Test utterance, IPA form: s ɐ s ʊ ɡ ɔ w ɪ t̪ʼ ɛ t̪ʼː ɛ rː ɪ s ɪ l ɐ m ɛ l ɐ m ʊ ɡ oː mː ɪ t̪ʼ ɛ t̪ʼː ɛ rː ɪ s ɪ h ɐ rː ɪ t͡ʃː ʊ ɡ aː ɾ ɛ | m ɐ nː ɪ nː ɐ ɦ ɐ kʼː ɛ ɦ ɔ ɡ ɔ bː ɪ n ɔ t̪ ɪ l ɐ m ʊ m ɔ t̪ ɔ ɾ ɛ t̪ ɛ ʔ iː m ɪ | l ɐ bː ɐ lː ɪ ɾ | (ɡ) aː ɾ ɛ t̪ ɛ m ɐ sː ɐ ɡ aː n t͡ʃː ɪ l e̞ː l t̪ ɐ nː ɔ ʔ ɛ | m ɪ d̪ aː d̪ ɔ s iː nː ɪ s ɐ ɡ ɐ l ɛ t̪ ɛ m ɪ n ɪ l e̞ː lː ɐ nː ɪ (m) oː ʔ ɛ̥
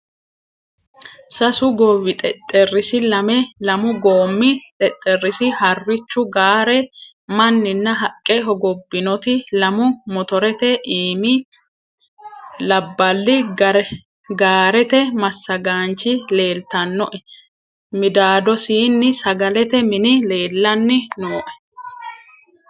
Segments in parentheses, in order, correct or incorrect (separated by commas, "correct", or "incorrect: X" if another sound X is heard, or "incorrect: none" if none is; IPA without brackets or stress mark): correct, incorrect: n